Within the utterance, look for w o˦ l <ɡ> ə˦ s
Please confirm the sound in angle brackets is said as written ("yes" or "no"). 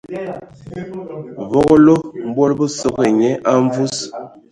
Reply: no